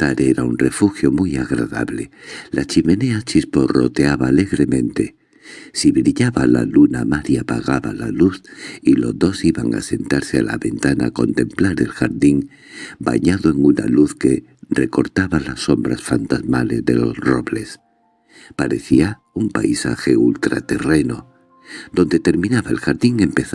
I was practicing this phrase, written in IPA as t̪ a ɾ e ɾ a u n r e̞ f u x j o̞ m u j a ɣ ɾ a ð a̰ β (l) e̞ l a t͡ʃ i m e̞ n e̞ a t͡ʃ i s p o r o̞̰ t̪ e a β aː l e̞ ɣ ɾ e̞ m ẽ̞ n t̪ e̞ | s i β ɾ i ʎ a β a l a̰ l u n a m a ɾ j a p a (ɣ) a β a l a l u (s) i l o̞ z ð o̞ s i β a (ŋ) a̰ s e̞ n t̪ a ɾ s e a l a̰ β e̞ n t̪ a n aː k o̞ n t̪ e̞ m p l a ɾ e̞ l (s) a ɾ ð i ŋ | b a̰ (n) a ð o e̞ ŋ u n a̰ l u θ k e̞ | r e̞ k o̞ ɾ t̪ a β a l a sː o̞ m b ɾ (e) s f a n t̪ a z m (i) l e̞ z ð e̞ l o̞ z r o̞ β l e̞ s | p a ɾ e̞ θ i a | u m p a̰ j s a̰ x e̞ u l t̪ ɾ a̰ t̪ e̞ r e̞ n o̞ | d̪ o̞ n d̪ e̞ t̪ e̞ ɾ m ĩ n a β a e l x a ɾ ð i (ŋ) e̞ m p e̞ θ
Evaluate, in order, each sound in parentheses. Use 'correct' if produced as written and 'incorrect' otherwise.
correct, correct, incorrect: θ, correct, incorrect: x, incorrect: ɲ, incorrect: a, incorrect: a, correct

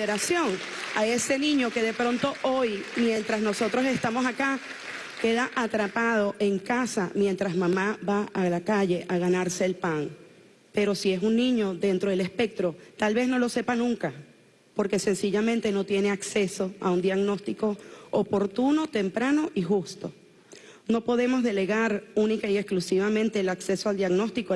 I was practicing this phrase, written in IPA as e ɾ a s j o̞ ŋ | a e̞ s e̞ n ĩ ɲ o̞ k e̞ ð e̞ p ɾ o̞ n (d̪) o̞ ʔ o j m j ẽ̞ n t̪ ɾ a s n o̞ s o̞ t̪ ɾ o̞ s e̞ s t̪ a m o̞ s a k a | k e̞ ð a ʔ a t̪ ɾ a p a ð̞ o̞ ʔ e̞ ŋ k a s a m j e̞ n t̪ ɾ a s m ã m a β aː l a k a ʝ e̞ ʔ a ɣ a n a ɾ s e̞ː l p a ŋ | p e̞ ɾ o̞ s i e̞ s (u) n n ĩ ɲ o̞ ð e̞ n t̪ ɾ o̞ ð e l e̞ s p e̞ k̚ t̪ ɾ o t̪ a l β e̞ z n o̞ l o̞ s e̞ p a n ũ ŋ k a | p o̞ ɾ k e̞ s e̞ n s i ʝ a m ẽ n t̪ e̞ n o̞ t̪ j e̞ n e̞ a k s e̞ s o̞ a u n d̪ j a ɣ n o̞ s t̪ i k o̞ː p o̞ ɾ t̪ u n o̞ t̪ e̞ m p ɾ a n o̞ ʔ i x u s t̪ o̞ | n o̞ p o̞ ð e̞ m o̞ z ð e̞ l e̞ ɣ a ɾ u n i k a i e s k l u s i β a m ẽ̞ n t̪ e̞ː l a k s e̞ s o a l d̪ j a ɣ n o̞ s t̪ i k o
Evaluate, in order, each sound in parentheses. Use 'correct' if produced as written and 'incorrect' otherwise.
incorrect: t̪, correct

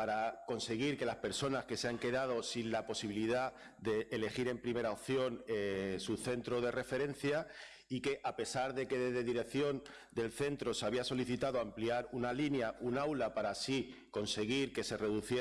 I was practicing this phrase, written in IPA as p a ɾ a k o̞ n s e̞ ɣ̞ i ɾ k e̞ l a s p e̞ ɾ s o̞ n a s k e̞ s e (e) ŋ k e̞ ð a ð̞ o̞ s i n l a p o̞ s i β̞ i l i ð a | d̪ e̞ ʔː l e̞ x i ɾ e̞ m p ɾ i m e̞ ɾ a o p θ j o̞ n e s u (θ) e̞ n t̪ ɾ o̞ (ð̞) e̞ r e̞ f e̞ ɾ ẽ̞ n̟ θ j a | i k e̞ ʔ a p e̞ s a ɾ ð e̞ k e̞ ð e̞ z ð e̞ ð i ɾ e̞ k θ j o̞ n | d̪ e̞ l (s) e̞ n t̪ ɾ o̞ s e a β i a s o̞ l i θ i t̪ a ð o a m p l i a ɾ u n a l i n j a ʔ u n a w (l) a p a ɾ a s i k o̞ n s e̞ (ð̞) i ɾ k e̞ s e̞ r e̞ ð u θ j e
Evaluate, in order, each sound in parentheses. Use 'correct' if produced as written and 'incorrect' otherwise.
incorrect: a, correct, correct, incorrect: θ, correct, incorrect: ɣ̞

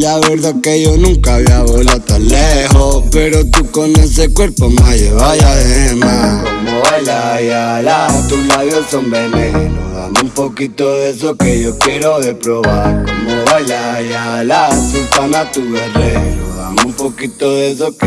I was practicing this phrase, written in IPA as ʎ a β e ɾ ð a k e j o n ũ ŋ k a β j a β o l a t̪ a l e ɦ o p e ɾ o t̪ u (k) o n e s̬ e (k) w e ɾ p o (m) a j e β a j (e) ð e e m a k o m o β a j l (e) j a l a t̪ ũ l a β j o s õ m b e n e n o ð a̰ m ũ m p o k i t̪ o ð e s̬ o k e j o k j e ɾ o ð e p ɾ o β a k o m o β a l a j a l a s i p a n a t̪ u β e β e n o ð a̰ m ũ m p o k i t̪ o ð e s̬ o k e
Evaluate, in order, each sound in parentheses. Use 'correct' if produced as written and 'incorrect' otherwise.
correct, correct, correct, incorrect: a, incorrect: a

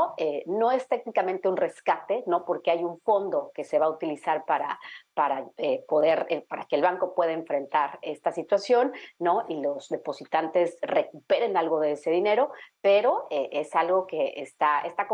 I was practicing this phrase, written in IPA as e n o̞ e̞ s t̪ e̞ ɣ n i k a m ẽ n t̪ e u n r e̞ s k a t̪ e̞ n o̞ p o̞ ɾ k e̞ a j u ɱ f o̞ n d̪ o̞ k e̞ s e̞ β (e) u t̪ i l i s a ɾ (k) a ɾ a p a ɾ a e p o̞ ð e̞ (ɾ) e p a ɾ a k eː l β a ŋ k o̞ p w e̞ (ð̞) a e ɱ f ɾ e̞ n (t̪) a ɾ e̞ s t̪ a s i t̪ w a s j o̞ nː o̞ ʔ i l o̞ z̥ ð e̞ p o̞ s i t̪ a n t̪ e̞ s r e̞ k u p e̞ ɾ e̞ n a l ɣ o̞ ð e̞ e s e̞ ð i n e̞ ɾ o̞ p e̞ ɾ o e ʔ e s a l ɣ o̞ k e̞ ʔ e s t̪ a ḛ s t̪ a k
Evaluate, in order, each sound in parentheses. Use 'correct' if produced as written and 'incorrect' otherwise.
incorrect: a, incorrect: p, correct, correct, correct

